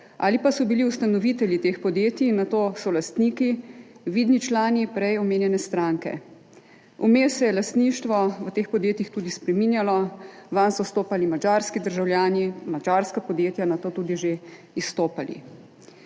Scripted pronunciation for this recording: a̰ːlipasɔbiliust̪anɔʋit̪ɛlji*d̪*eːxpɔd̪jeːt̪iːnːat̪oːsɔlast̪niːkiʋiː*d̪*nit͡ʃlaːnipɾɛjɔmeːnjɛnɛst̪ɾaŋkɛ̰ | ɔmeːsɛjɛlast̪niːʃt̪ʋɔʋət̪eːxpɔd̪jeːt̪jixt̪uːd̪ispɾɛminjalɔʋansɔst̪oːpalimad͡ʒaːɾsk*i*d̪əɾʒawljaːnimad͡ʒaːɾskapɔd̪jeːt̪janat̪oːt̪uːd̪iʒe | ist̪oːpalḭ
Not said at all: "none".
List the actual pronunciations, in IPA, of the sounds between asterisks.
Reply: t̪, d̪, i

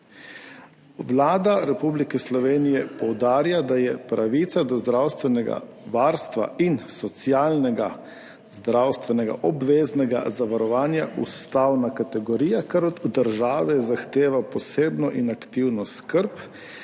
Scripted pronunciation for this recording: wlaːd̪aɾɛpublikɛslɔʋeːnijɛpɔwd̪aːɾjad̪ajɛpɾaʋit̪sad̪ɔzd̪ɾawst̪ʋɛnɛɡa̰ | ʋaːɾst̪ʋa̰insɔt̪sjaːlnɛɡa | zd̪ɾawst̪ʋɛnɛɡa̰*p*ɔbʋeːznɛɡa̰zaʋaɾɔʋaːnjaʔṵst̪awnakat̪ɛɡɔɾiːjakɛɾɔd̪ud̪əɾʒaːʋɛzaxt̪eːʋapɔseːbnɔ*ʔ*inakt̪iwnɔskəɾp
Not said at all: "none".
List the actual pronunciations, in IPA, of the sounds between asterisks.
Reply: ʔ, ʔ

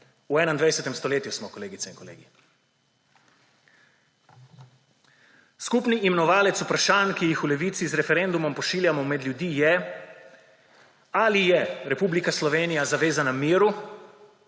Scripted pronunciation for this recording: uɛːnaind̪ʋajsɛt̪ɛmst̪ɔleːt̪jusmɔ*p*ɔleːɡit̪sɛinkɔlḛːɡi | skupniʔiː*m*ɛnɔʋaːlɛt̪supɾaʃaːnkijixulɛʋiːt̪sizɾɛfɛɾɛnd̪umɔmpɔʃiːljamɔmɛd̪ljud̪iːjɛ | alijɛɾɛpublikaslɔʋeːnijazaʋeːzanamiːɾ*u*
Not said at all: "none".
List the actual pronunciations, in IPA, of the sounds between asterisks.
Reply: k, m, u

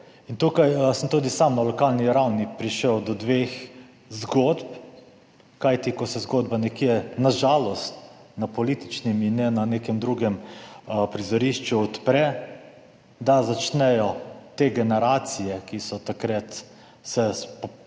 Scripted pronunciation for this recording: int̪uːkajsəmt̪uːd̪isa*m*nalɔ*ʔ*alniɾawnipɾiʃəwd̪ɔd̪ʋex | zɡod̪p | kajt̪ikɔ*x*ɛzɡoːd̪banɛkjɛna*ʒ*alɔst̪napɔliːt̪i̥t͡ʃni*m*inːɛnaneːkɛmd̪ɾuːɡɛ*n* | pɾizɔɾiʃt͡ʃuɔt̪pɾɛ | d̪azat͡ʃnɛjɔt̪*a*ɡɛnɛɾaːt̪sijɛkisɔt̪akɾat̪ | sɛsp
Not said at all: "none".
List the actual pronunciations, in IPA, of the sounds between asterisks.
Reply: m, k, s, ʒ, m, m, e

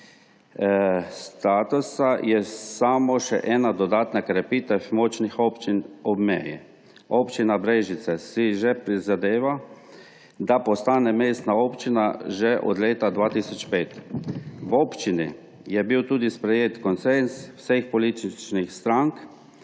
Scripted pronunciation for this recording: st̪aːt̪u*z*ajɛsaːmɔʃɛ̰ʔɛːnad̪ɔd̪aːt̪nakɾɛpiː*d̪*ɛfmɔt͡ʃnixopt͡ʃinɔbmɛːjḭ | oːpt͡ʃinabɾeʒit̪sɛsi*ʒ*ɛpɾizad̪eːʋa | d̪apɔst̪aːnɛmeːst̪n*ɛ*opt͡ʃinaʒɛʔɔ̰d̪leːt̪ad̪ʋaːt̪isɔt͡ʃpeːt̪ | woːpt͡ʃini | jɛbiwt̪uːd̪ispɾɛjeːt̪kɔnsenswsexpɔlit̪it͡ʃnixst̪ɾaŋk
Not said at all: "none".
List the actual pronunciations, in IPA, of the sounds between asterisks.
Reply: s, t̪, ʒ, a

